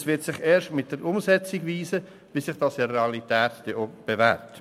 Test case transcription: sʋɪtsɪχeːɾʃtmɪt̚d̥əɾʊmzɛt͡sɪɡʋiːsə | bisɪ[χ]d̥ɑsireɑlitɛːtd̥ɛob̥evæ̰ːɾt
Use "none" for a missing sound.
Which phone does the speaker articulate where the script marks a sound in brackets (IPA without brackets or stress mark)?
χ